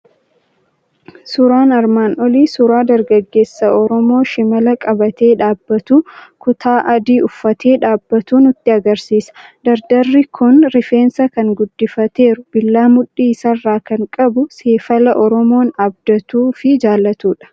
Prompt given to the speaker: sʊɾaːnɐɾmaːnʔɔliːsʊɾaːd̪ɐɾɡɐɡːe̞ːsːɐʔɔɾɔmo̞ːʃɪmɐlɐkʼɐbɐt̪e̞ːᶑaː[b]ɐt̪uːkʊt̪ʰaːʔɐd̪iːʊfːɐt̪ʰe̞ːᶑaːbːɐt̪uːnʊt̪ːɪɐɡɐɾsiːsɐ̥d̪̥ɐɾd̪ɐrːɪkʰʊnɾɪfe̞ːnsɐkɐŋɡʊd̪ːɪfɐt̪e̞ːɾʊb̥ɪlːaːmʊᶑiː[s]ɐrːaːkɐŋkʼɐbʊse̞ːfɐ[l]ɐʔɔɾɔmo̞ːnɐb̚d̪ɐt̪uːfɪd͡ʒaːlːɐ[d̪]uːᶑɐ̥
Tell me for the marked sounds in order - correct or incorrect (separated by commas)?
incorrect, correct, correct, incorrect